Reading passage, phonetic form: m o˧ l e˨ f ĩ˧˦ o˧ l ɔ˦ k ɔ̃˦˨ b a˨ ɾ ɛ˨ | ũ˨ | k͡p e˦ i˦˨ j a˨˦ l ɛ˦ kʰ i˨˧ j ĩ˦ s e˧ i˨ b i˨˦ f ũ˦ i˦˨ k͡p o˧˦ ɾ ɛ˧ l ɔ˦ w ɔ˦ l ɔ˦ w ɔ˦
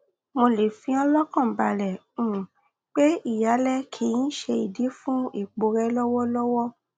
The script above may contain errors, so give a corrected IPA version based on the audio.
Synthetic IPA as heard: m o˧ l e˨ f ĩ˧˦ ɔ˧ l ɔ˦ k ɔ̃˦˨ b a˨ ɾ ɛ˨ | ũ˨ | k͡p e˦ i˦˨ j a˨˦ l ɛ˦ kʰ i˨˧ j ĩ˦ ʃ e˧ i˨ d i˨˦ f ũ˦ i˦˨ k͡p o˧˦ ɾ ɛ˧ l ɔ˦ w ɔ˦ l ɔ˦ w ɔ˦